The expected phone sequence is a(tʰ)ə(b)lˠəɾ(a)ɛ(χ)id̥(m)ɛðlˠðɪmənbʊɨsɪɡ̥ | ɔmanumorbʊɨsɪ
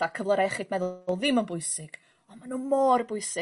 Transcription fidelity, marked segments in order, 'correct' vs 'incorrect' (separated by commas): incorrect, incorrect, correct, correct, correct